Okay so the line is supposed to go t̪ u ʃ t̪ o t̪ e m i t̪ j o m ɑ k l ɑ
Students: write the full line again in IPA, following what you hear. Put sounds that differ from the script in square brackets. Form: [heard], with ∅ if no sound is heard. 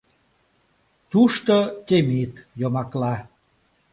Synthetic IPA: t̪ u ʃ t̪ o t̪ e m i t̪ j o m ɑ k l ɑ